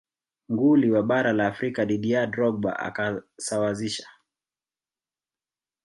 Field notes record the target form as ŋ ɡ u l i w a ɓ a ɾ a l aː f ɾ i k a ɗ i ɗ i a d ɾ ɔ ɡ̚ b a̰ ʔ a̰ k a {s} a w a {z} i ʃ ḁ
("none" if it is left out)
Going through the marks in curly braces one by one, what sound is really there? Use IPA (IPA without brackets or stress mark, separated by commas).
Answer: s, z